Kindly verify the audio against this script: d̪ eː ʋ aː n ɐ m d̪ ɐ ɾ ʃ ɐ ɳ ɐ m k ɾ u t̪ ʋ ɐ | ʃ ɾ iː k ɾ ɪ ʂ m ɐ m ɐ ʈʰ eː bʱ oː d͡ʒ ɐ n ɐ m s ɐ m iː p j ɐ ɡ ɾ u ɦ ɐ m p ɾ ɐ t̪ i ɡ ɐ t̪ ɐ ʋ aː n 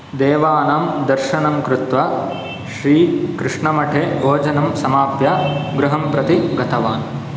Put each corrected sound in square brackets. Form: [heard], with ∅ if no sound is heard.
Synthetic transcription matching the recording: d̪ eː ʋ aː n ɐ m d̪ ɐ ɾ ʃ ɐ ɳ ɐ m k ɾ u t̪ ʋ ɐ | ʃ ɾ iː k ɾ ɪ ʂ [ɳ] ɐ m ɐ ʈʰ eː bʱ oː d͡ʒ ɐ n ɐ m s ɐ m [aː] p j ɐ ɡ ɾ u ɦ ɐ m p ɾ ɐ t̪ i ɡ ɐ t̪ ɐ ʋ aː n